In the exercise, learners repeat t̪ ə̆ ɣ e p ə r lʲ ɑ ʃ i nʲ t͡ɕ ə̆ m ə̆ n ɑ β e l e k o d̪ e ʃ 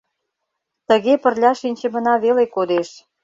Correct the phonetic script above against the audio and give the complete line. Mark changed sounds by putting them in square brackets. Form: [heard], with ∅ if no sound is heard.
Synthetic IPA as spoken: t̪ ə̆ ɣ e p ə r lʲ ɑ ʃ i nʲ t͡ɕ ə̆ m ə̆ n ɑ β e l e k o d̪ e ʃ

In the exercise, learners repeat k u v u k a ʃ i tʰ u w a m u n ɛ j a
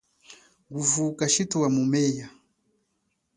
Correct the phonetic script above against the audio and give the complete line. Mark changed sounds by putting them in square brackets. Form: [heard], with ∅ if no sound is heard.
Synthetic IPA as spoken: [ɡ] u v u k a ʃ i [t] u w a m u [m] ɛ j a

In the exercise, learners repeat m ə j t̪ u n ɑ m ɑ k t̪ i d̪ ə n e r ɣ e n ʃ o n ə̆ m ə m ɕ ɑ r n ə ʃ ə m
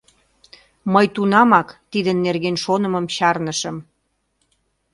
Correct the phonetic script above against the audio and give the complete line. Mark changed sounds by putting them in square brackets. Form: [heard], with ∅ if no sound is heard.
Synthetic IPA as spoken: m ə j t̪ u n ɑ m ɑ k t̪ i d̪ ə [nː] e r ɣ e n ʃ o n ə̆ m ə m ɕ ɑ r n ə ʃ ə m

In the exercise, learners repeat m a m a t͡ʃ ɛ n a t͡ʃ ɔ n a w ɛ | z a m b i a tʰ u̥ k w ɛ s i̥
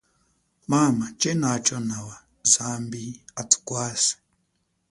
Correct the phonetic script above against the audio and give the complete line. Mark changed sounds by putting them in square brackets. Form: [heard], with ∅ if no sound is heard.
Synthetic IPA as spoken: m a m a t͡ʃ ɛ n a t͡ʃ ɔ n a w [a] | z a m b i a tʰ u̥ k w [a] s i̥

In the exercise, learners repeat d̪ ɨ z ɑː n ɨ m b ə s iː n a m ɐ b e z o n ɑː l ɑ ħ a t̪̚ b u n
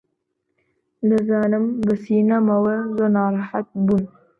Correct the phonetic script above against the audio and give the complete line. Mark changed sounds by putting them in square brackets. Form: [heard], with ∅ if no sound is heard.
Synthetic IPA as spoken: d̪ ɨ z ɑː n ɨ m b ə s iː n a m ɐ [w] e z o n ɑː [ɾ] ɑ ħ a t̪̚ b u n

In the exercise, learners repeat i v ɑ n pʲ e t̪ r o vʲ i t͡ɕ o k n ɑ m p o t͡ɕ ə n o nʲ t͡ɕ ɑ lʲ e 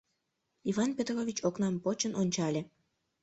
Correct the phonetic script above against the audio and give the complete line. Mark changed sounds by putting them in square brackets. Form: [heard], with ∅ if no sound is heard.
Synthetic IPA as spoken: i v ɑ n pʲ e t̪ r o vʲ i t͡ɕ o k n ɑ m p o t͡ɕ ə n o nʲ t͡ɕ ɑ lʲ e

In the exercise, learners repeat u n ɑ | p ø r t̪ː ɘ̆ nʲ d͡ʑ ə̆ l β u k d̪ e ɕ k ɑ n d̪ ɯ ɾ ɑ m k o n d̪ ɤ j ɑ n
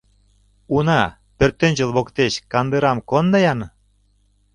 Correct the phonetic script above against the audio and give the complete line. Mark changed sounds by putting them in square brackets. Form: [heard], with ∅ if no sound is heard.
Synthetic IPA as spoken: u n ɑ | p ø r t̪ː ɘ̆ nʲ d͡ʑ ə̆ l β [o] k [t̪] e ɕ k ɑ n d̪ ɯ ɾ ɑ m k o n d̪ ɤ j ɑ n

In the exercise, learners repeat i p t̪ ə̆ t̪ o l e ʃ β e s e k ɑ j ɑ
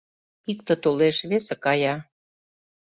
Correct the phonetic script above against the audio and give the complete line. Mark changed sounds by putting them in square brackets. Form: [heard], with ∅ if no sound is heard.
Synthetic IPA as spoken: i [k] t̪ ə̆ t̪ o l e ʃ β e s e k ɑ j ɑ

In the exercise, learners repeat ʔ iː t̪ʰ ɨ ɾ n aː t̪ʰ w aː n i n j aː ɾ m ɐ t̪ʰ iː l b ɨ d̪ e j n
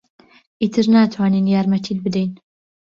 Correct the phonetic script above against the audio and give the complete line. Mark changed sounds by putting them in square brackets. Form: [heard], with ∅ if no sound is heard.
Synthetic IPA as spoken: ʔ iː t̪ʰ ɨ ɾ n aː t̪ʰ w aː n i n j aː ɾ m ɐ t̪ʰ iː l b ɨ d̪ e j n

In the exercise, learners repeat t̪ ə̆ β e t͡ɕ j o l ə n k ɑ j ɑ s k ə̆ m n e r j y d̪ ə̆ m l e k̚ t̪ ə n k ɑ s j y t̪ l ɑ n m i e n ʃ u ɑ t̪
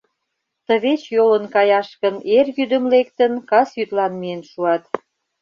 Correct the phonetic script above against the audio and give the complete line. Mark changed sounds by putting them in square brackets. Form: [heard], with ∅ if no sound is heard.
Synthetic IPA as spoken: t̪ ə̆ β e t͡ɕ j o l ə n k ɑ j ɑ [ʃ] k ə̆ [∅] n e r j y d̪ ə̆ m l e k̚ t̪ ə n k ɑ s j y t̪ l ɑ n m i e n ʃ u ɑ t̪

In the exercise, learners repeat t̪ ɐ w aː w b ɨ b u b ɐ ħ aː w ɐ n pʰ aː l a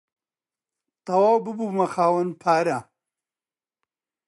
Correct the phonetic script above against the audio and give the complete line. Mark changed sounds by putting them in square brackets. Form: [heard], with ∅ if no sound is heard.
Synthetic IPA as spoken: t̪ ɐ w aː w b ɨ b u [m] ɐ [x] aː w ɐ n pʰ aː [ɾ] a

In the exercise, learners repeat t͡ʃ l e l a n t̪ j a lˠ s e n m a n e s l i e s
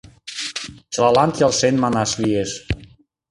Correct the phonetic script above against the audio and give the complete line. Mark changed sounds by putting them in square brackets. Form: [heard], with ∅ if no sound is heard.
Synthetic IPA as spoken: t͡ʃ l [a] l a n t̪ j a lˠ s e n m a n [a] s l i e s

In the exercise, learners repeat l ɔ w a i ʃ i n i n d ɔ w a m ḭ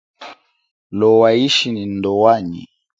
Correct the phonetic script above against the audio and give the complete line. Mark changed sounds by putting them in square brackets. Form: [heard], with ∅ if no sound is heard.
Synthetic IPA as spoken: l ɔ w a i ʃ i n i n d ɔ w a [ɲ] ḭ

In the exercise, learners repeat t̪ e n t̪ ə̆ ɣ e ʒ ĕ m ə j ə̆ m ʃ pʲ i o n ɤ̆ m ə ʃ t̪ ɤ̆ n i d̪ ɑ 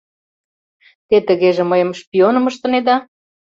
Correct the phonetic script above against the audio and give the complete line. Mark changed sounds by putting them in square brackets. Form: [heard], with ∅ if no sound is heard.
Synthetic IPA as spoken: t̪ e [∅] t̪ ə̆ ɣ e ʒ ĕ m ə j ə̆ m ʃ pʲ i o n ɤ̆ m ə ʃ t̪ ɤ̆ n [e] d̪ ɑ

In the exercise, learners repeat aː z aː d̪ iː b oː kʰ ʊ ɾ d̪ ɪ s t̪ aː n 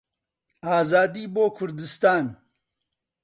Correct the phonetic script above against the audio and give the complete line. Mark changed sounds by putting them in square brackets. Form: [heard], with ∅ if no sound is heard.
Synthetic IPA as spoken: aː z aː d̪ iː b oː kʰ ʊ ɾ d̪ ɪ s t̪ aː n

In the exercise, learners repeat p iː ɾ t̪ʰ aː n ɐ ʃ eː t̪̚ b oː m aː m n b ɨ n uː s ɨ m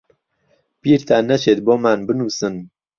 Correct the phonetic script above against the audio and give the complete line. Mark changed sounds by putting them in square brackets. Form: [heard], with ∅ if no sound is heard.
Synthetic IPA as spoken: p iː ɾ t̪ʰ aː n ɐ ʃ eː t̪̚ b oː m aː [∅] n b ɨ n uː s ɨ [n]

